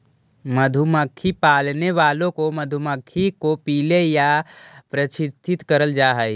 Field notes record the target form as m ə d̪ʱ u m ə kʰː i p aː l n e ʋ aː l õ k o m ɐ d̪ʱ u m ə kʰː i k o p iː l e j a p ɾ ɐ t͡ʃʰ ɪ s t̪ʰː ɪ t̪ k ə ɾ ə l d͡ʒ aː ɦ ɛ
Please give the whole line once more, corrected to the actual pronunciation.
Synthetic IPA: m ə d̪ʱ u m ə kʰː i p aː l n e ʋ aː l õ k o m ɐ d̪ʱ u m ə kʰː i k o p iː l e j a p ɾ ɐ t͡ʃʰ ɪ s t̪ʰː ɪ t̪ k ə ɾ ə l d͡ʒ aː ɦ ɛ